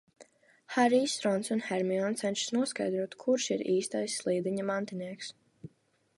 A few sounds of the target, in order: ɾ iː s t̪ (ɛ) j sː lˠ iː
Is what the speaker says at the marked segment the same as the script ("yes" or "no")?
no